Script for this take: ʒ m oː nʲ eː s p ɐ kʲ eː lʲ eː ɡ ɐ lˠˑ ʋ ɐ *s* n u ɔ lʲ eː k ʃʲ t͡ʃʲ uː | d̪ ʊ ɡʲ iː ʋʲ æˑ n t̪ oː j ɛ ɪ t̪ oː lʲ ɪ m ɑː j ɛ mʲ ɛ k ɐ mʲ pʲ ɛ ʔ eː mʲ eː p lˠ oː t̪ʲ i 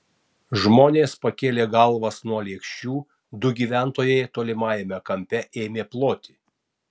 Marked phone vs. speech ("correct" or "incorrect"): correct